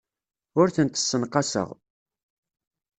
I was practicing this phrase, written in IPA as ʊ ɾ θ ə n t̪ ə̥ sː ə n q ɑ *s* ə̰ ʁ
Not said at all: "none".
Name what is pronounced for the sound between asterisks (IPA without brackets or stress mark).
s